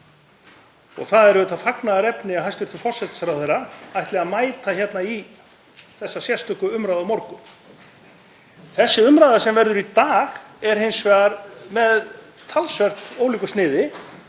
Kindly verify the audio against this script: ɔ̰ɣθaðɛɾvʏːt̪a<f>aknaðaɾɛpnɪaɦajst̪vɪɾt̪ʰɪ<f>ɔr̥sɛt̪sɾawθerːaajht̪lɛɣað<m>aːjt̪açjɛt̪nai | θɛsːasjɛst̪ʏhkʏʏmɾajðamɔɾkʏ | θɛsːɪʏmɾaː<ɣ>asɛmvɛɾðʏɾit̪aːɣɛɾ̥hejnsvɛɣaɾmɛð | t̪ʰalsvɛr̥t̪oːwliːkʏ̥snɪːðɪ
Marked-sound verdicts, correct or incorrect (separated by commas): correct, correct, correct, incorrect